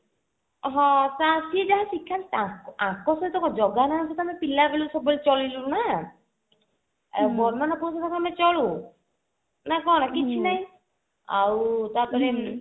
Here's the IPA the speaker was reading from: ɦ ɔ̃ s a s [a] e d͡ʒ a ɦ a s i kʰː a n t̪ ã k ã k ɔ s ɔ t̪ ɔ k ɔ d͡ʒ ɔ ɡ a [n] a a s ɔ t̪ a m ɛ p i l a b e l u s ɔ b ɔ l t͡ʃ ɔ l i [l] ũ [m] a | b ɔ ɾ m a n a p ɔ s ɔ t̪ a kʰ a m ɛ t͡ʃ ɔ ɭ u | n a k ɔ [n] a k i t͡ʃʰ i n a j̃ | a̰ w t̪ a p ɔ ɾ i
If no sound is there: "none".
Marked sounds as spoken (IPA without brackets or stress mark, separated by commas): i, n, l, n, n